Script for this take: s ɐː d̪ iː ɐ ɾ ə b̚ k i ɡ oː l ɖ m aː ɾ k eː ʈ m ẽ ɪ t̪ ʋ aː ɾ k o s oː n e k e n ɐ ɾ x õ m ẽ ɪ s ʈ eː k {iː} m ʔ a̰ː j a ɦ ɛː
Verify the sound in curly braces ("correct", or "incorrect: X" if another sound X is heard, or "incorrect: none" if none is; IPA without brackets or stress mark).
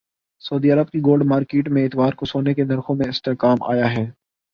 incorrect: aː